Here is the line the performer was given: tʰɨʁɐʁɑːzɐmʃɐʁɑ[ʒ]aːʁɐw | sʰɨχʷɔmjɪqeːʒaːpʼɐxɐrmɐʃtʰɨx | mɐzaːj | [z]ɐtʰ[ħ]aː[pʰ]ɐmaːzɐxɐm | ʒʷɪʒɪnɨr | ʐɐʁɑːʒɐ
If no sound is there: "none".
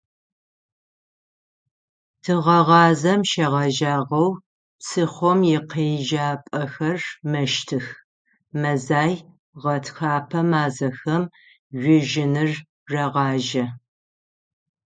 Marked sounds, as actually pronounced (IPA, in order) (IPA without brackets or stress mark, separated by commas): ʒ, ʁ, x, pʰ